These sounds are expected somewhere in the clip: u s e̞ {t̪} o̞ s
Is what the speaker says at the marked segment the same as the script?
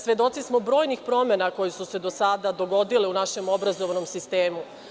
no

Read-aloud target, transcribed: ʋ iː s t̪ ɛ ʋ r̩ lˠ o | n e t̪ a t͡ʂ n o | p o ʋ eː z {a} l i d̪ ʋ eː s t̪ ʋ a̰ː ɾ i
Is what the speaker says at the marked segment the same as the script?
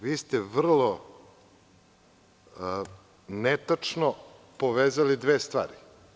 yes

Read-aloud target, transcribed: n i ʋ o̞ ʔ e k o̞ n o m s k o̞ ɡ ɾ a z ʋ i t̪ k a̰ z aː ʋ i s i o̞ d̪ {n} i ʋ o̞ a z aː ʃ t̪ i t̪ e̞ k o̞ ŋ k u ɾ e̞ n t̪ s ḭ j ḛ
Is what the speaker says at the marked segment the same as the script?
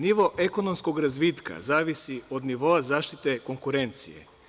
yes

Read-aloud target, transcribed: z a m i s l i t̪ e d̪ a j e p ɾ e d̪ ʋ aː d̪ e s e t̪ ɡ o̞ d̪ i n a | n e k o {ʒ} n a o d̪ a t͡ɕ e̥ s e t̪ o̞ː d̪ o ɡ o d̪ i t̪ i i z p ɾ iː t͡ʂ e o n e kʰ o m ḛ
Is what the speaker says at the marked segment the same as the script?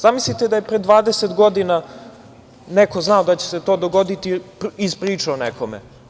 no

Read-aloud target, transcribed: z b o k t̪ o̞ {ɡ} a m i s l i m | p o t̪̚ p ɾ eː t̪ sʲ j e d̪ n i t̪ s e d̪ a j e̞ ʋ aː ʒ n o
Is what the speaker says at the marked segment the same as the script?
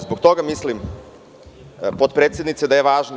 yes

